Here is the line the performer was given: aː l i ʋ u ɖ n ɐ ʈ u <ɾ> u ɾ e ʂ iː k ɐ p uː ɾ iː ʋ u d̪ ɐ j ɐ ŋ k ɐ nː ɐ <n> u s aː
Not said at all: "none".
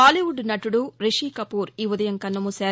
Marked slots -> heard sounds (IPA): ɽ, m

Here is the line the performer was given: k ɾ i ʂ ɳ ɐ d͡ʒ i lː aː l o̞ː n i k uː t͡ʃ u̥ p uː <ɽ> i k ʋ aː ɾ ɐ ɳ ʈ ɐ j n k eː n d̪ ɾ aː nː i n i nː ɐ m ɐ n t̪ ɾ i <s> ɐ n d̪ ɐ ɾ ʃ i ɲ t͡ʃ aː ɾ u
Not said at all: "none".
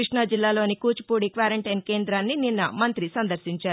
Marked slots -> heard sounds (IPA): ɽ, s

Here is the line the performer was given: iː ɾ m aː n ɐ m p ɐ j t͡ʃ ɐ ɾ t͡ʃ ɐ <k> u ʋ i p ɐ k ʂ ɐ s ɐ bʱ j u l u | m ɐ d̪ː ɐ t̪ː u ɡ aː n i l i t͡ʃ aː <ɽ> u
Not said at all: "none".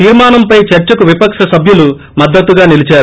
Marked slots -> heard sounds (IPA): k, ɾ

